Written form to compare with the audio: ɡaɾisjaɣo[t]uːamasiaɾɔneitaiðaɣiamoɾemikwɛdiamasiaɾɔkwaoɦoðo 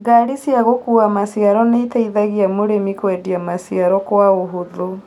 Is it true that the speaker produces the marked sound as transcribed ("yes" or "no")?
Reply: no